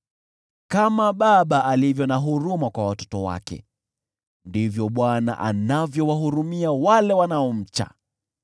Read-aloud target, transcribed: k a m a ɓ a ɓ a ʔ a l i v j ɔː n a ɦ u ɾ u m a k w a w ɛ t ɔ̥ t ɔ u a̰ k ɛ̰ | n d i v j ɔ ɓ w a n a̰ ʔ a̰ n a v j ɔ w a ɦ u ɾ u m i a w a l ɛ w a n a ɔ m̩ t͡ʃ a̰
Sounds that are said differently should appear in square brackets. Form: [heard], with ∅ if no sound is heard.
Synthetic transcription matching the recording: k a m a ɓ a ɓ a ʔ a l i v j [ɔ] n a ɦ u ɾ u m a k w a w [a] t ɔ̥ t ɔ [w] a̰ k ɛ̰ | n d i v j ɔ ɓ w a n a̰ ʔ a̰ n a v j ɔ w a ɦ u ɾ u m i a w a l ɛ w a n a ɔ m̩ t͡ʃ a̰